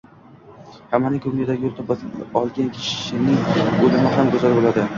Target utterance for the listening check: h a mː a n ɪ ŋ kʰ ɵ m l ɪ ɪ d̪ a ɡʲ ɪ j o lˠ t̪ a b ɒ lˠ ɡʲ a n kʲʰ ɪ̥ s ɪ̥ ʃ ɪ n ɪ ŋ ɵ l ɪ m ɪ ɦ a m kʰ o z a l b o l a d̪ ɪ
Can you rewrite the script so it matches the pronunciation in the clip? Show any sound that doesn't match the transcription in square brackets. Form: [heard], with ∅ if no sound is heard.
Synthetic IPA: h a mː a n ɪ ŋ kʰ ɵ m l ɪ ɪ d̪ a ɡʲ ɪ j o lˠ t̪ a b ɒ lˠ ɡʲ a n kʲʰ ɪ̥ [ʃ] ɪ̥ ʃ ɪ n ɪ ŋ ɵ l ɪ m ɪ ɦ a m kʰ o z a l b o l a d̪ ɪ